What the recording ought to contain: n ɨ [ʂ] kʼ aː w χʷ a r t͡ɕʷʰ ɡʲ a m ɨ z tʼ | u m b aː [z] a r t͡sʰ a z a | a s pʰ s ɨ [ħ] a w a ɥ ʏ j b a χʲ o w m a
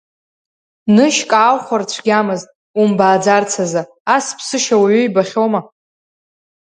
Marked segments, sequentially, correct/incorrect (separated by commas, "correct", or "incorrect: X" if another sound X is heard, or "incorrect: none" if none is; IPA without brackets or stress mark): incorrect: ʃ, incorrect: d͡z, incorrect: ʃ